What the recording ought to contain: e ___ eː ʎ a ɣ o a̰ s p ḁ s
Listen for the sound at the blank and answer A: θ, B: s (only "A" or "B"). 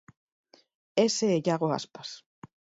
B